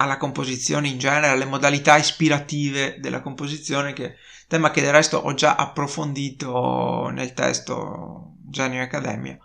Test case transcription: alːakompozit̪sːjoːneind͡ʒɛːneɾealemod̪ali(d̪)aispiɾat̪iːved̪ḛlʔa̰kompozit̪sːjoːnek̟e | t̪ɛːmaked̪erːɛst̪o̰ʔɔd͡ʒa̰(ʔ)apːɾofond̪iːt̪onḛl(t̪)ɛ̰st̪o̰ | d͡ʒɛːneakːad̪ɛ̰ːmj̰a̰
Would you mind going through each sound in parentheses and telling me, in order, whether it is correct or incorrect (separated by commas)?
incorrect, correct, correct